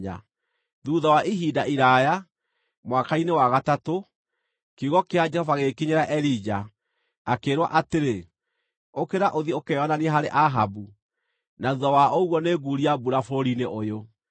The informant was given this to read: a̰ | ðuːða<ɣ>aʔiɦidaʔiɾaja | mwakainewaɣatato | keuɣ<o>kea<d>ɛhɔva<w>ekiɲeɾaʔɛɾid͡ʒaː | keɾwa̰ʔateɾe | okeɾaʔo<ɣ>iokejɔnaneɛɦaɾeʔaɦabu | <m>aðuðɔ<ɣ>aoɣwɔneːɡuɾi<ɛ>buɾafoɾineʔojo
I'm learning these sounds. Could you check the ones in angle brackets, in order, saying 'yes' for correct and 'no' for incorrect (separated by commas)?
no, no, no, no, no, no, no, no